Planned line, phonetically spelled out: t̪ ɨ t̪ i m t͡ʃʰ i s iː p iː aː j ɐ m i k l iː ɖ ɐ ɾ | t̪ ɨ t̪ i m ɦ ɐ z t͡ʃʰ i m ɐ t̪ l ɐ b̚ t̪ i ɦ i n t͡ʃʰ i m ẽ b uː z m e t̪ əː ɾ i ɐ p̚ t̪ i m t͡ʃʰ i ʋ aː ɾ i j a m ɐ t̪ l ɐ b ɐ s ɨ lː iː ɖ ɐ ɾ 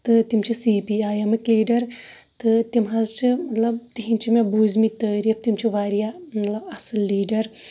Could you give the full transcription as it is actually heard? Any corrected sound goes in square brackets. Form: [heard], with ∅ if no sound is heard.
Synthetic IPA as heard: t̪ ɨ t̪ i m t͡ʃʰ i s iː p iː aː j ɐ m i k l iː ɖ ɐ ɾ | t̪ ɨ t̪ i m ɦ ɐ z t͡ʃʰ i m ɐ t̪ l ɐ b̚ t̪ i ɦ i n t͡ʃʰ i m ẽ b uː z m [i] t̪ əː ɾ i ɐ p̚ t̪ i m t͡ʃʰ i ʋ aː ɾ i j a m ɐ t̪ l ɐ b ɐ s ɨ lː iː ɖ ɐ ɾ